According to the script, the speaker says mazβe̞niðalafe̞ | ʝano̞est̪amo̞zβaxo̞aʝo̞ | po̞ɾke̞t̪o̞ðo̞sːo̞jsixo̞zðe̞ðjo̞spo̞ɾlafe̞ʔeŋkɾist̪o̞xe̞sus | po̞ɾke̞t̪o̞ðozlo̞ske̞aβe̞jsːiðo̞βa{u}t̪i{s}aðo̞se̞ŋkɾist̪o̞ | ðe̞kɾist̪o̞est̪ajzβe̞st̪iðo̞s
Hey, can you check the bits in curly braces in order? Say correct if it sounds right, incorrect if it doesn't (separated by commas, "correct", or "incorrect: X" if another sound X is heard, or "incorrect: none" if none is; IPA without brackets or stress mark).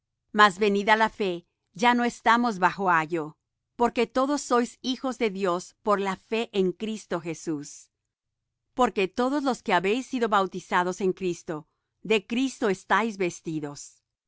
incorrect: w, correct